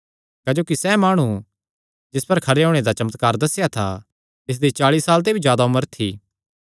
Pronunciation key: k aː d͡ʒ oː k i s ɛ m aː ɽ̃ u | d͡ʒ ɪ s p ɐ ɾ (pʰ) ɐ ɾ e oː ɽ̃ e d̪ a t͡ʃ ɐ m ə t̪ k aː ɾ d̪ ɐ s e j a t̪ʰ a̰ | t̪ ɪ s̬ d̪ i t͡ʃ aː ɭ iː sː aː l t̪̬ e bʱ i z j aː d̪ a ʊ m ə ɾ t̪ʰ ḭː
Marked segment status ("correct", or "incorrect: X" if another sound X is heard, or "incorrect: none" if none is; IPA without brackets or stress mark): incorrect: kʰ